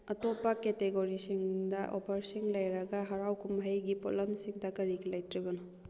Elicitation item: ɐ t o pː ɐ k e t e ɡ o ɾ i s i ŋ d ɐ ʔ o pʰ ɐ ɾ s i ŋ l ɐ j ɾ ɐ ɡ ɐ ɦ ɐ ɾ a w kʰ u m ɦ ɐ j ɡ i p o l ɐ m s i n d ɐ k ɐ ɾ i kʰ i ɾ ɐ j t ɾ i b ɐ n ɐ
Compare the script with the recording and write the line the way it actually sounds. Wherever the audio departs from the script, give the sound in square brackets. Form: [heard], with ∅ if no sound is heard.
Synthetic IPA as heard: ɐ t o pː ɐ k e t e ɡ o ɾ i s i ŋ d ɐ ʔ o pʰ ɐ ɾ s i ŋ l ɐ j ɾ ɐ ɡ ɐ ɦ ɐ ɾ a w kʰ u m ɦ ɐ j ɡ i p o l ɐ m s i [ŋ] d ɐ k ɐ ɾ i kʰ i [l] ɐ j t ɾ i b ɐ n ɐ

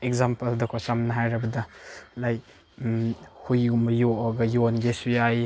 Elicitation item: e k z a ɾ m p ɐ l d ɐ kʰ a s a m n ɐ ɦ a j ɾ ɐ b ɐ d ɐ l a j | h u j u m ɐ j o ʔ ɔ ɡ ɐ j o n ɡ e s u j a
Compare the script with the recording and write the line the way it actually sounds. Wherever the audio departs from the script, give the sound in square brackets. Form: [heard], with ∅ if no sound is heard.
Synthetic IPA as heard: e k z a [∅] m p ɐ l d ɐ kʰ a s a m n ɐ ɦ a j ɾ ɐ b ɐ d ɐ l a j | h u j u m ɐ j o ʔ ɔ ɡ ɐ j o n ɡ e s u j a

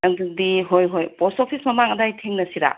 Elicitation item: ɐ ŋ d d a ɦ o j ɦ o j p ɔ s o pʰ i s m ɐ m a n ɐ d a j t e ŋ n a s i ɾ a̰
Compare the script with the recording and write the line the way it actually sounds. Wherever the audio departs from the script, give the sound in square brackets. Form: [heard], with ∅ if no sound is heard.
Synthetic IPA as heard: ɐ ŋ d d [i] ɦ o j ɦ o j p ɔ s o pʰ i s m ɐ m a [ŋ] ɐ d a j [tʰ] e ŋ n [ɐ] s i ɾ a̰

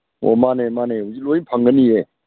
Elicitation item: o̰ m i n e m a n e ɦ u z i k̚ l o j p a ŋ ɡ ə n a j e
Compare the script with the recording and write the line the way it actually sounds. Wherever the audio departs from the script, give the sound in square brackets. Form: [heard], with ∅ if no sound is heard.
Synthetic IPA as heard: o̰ m [a] n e m a n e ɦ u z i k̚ l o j [pʰ] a ŋ ɡ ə n [i] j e

